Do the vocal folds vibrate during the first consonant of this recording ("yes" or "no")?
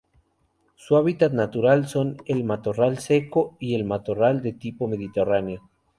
no